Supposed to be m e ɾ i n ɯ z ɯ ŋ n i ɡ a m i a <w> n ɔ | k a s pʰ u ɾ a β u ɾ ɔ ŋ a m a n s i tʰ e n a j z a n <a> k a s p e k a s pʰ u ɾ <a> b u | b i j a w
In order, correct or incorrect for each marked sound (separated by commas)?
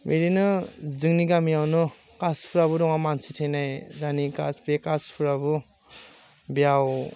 correct, incorrect, correct